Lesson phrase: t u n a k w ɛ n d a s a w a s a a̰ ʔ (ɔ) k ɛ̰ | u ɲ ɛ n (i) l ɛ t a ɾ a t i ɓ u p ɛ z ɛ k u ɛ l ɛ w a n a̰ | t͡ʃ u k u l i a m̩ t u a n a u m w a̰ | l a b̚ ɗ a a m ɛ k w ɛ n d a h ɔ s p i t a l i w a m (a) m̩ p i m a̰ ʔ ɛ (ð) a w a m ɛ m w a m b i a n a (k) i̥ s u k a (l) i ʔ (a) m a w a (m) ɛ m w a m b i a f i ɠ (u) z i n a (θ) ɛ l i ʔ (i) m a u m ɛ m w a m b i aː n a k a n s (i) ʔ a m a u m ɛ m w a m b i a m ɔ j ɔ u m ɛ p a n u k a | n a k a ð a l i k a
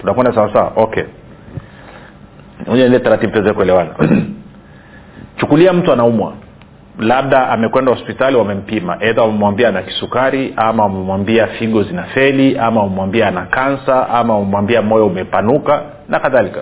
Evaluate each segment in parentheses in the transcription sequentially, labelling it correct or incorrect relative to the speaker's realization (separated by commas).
correct, correct, incorrect, correct, correct, incorrect, correct, correct, incorrect, incorrect, incorrect, incorrect